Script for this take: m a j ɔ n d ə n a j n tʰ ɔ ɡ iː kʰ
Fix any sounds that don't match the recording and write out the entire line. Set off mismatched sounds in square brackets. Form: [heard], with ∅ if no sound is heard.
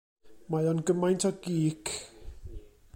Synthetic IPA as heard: m a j ɔ n [ɡ] ə [m] a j n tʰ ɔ ɡ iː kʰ